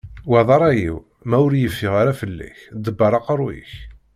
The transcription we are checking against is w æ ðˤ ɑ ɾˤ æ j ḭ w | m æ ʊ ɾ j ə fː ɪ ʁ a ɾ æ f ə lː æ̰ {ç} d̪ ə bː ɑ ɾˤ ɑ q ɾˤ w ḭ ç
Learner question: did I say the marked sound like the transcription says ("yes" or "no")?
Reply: yes